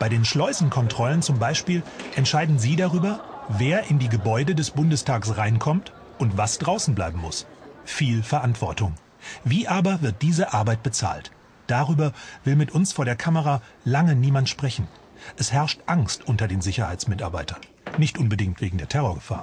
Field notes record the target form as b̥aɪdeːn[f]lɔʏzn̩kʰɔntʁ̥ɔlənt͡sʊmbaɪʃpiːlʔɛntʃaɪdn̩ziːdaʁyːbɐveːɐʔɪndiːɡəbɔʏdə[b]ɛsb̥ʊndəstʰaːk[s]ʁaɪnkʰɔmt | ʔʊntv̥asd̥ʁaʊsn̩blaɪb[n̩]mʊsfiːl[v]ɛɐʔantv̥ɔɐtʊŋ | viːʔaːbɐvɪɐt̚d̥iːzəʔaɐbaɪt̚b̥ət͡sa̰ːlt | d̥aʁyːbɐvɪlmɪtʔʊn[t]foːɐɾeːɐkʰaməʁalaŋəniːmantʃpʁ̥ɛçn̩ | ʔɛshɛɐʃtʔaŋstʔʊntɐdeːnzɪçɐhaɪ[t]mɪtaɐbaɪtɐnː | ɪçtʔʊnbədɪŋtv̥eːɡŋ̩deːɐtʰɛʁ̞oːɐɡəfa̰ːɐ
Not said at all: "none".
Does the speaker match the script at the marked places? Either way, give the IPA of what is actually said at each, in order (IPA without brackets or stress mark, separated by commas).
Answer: ʃ, d, s, m̩, f, s, t͡s